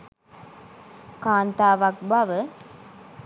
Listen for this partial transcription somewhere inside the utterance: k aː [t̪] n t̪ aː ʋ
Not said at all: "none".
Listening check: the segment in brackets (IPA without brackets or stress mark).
none